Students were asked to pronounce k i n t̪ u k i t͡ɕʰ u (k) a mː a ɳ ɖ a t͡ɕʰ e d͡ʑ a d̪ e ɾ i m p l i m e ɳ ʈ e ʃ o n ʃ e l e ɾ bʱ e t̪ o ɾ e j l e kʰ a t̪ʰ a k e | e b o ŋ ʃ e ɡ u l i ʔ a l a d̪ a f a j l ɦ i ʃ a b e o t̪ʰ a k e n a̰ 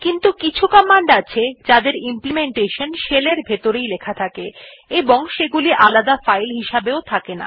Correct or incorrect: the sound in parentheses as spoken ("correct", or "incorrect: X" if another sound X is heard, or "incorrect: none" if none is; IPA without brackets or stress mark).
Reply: correct